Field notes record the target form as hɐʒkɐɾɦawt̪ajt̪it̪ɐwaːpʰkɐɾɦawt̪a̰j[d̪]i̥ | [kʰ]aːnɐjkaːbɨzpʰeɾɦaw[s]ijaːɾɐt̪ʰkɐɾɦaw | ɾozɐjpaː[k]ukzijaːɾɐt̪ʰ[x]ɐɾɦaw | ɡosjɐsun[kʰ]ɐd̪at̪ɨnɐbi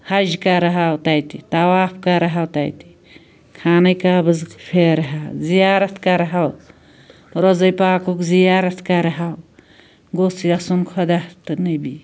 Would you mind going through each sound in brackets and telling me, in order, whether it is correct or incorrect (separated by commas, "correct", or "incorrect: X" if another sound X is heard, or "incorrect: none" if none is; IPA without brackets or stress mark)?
incorrect: t̪, correct, incorrect: z, correct, incorrect: k, correct